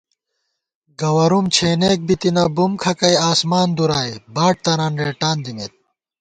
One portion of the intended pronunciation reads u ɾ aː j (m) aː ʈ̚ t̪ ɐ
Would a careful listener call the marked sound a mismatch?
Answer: yes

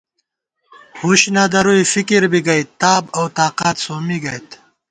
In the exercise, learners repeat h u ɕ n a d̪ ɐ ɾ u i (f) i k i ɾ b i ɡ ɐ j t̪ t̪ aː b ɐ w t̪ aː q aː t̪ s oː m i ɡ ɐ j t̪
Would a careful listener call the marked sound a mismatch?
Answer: no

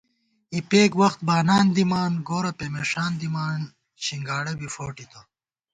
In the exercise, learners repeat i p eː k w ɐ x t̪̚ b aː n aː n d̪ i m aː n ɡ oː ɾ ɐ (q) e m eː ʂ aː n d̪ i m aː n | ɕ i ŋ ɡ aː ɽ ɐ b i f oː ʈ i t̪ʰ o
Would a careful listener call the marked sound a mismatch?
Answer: yes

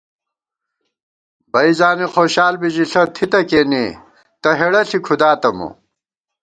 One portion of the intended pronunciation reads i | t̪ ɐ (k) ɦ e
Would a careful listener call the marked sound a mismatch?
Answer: yes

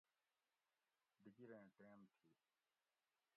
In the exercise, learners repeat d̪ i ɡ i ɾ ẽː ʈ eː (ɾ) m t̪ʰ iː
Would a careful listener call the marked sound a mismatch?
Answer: yes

